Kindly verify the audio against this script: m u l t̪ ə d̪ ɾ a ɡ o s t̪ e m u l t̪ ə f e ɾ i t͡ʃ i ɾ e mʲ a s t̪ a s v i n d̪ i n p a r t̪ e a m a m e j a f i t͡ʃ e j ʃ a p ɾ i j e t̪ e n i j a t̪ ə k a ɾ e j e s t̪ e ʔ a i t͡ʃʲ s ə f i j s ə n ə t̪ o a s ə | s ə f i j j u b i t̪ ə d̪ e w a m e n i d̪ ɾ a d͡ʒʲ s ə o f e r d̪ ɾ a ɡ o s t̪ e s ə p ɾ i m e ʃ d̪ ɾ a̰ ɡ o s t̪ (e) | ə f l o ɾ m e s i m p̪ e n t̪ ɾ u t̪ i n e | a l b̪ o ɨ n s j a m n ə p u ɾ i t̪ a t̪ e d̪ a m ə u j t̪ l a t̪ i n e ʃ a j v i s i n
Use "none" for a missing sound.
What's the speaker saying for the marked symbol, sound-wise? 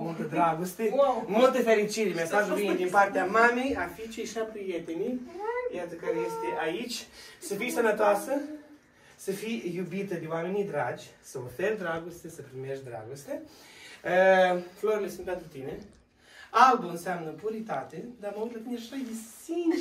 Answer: e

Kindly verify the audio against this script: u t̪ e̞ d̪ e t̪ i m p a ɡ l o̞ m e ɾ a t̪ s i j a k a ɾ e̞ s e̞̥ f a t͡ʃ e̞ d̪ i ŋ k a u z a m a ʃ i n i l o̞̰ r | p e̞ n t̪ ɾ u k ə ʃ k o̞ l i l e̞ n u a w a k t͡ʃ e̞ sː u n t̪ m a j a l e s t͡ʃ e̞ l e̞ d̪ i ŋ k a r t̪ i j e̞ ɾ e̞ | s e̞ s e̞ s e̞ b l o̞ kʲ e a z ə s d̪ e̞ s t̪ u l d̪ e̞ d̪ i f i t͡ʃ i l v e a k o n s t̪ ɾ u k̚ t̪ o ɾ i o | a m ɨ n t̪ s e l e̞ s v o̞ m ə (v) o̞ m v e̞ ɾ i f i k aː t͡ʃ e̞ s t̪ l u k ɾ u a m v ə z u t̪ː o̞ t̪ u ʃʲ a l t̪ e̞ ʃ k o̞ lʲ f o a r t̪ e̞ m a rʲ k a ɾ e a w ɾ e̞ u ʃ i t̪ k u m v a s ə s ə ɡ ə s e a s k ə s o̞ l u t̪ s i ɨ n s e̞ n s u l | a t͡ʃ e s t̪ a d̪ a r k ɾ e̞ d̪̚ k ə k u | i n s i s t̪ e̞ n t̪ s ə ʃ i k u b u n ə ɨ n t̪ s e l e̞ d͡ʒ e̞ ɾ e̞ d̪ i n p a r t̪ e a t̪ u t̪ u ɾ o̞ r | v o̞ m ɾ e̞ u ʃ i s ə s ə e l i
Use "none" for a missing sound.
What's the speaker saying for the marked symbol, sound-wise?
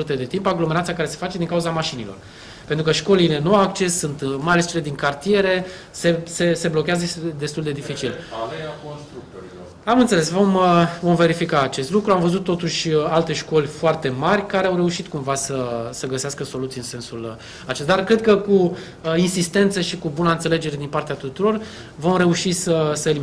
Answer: v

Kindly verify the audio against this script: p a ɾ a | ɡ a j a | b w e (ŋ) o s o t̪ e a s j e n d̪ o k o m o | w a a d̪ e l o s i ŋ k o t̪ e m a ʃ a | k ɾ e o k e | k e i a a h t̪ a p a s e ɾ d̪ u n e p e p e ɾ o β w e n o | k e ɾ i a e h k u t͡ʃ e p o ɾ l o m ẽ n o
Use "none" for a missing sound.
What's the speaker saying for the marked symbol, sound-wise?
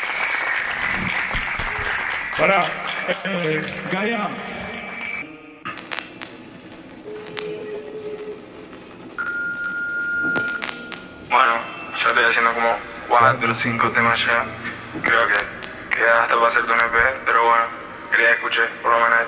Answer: n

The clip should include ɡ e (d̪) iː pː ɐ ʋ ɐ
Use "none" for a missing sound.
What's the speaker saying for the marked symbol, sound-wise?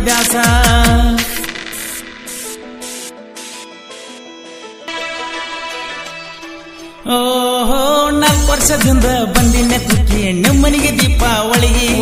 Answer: d̪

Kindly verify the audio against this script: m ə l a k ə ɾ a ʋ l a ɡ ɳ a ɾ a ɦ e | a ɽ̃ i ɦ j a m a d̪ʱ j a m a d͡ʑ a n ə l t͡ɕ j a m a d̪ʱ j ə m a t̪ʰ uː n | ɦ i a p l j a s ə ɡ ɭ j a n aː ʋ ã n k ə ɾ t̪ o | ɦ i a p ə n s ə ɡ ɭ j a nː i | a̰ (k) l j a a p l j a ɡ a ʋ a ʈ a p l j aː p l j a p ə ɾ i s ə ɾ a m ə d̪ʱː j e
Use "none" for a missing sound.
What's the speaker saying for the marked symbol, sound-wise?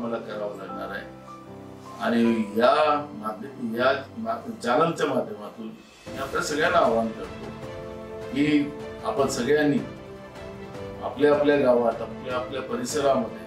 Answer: p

